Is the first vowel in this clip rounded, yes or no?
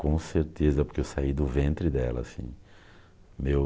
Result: yes